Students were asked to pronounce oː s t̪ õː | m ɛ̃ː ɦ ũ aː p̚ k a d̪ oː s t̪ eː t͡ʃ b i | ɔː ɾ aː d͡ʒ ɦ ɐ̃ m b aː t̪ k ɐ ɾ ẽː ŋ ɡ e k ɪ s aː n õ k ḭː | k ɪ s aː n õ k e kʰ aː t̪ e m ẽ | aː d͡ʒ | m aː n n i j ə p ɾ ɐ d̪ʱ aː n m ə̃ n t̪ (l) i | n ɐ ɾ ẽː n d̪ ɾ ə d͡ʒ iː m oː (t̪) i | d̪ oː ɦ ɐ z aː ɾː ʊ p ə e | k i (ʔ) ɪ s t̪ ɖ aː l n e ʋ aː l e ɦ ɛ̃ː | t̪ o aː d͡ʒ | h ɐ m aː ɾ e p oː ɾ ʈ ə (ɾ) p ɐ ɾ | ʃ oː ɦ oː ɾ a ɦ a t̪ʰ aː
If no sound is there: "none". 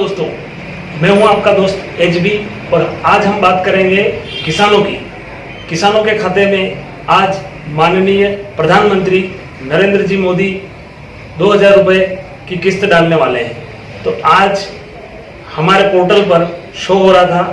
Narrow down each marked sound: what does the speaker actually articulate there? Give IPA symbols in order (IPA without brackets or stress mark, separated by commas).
ɾ, d̪, k, l